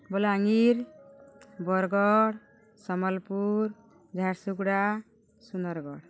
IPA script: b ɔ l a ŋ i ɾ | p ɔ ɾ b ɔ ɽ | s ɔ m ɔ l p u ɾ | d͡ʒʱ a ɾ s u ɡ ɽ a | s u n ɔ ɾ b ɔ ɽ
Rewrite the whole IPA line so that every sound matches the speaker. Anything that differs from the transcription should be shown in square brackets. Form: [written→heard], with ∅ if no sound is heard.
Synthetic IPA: b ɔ l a ŋ i ɾ | [p→b] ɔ ɾ [b→ɡ] ɔ ɽ | s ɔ m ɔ l p u ɾ | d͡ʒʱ a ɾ s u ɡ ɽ a | s u n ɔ ɾ [b→ɡ] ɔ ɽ